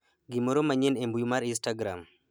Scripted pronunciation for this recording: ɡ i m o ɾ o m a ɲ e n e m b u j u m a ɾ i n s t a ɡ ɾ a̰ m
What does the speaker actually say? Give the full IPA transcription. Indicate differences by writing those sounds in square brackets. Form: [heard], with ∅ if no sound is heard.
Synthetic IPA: ɡ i m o ɾ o m a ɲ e n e m b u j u m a ɾ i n s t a ɡ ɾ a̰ m